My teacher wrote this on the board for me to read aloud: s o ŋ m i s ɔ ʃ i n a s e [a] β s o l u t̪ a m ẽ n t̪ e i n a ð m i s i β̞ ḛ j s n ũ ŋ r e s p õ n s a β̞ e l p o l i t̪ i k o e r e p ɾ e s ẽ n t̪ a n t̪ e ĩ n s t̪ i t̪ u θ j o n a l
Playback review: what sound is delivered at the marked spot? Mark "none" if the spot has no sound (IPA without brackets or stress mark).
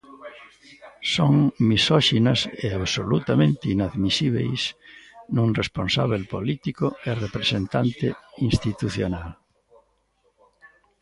a